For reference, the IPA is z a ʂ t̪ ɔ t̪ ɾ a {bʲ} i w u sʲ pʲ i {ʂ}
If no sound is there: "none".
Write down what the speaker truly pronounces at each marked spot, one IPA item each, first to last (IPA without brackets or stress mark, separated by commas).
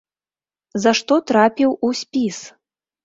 pʲ, s